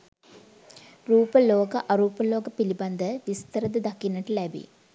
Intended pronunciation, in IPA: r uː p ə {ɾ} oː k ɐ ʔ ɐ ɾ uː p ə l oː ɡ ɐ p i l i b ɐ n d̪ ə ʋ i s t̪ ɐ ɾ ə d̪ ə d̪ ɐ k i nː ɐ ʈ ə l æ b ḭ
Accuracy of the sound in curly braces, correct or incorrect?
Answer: incorrect